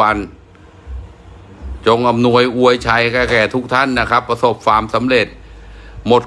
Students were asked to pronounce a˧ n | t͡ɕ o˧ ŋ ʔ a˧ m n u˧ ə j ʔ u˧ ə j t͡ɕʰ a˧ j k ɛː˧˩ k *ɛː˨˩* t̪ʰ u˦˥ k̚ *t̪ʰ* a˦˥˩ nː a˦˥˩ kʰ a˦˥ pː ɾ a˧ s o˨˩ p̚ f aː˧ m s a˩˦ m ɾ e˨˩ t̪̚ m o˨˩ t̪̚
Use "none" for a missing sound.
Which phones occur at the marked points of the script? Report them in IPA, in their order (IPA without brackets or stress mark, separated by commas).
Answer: ɛː˨˩, t̪ʰ